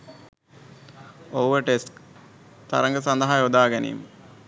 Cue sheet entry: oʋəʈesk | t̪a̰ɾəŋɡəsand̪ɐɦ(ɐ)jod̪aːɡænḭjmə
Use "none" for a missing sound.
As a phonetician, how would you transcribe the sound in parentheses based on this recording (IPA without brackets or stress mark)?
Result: a